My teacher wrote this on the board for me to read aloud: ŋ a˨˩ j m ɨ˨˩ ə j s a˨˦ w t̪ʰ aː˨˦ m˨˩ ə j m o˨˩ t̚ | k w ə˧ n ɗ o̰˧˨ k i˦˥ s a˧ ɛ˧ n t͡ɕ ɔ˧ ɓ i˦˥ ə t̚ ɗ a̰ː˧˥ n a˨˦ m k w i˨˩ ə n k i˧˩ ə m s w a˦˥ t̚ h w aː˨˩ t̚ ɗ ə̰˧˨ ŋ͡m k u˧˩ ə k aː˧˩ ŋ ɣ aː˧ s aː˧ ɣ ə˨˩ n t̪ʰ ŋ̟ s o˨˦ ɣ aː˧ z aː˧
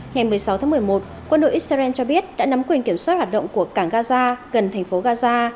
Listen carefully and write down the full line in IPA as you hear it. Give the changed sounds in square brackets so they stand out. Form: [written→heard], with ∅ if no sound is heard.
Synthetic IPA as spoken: ŋ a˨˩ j m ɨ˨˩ ə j s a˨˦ w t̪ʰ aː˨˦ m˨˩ ə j m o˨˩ t̚ | k w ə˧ n ɗ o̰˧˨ [k→ʔ] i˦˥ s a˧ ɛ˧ n t͡ɕ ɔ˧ ɓ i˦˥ ə t̚ ɗ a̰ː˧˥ n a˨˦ m k w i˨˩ ə n k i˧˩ ə m s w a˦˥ t̚ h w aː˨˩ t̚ ɗ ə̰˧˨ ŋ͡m k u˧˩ ə k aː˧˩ ŋ ɣ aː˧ [s→z] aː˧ ɣ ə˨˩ n t̪ʰ ŋ̟ [s→f] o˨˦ ɣ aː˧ z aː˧